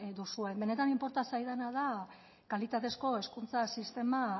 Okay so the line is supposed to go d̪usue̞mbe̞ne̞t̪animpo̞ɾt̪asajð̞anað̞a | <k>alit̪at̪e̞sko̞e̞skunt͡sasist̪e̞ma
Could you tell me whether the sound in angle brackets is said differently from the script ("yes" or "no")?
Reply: no